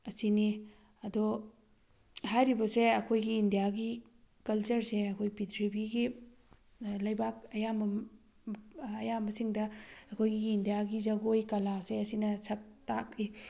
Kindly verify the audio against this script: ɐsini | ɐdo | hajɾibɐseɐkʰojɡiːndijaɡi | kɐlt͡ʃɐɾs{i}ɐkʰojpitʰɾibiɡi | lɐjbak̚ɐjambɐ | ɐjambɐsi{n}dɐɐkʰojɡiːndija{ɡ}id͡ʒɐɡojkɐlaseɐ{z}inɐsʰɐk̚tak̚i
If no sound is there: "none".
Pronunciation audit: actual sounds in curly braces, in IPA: e, ŋ, ɡ, s

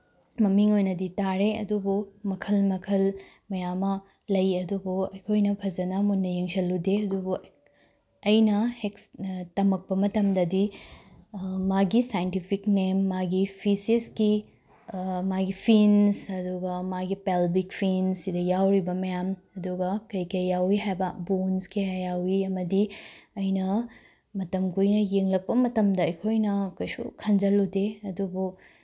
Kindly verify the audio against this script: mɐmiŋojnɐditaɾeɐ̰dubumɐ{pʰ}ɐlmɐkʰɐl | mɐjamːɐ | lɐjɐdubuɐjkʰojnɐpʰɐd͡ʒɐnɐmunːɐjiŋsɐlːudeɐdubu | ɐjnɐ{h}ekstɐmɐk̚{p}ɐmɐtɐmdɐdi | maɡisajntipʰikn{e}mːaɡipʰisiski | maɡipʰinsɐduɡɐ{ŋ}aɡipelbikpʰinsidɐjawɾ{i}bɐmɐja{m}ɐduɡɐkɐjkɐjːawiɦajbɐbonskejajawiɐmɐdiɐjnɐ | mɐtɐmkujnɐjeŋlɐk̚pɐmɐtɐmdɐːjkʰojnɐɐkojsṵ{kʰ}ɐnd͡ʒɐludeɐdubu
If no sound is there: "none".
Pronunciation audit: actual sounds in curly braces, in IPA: kʰ, h, p, e, m, i, m, kʰ

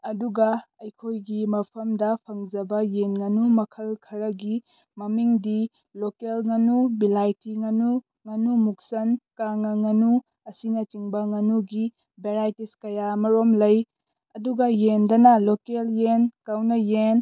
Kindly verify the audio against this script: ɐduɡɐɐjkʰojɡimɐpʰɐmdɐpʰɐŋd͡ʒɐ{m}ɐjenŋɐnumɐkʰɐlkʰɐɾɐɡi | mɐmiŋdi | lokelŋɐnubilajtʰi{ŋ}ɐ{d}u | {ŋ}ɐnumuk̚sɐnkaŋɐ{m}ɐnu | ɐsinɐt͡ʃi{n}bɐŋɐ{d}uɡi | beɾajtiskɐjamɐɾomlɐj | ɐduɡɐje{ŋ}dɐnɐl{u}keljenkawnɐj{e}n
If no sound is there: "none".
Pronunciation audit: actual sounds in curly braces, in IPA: b, ŋ, n, ŋ, ŋ, ŋ, n, n, o, e

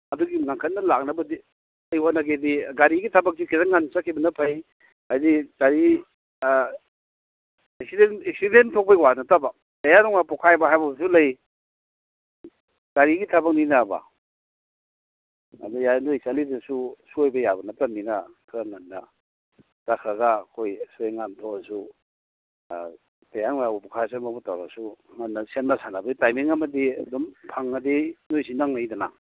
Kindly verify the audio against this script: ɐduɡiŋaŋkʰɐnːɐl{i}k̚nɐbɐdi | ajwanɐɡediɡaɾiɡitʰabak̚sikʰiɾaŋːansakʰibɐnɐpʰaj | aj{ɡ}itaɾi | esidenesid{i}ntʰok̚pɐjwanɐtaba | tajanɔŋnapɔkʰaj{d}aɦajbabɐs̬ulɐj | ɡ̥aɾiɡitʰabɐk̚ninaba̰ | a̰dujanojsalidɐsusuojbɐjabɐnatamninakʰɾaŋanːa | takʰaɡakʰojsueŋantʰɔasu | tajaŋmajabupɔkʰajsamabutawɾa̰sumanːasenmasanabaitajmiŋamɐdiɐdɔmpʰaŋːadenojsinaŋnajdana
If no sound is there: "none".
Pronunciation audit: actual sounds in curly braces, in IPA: a, d, e, b

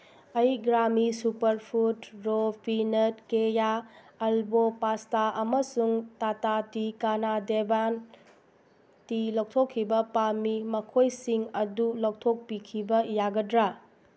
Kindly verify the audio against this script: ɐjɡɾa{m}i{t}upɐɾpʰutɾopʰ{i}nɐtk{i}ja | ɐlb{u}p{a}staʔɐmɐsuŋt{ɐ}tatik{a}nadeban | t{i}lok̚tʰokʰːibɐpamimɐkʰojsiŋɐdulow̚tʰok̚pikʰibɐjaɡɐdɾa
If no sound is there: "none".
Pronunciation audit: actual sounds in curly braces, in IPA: m, s, i, e, o, a, a, a, i

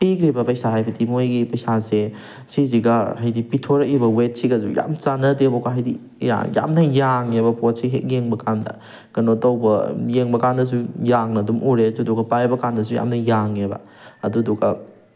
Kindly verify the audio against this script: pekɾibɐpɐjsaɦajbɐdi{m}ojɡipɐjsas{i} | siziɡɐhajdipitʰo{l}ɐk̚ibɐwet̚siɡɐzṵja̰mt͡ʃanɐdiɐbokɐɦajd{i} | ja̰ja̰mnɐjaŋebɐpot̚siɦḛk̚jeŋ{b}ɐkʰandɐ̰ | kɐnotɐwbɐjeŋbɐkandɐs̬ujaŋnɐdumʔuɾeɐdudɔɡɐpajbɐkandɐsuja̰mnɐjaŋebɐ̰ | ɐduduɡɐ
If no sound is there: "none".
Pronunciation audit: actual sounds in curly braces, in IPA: m, e, ɾ, i, b

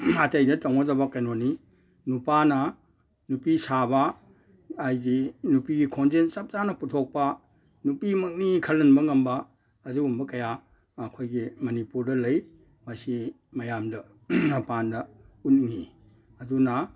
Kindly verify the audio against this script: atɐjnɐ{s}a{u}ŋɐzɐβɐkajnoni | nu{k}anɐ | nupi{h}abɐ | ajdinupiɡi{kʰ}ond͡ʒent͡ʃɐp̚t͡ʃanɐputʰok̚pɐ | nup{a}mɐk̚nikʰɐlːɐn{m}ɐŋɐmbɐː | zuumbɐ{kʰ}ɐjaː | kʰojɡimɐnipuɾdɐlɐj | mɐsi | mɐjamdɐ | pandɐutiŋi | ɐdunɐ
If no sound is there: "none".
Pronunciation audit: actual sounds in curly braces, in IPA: t, w, p, s, kʰ, i, b, k

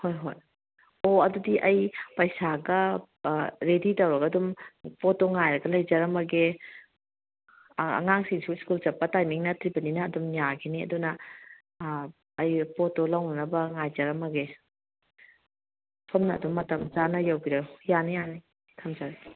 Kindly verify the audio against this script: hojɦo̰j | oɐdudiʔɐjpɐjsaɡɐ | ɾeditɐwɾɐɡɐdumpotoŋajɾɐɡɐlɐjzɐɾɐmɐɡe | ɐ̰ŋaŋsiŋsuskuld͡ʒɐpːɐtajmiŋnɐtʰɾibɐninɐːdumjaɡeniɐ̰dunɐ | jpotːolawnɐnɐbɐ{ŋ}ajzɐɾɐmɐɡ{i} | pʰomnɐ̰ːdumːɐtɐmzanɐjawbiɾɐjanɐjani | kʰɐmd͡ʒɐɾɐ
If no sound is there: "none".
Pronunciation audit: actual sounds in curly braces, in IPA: ŋ, e

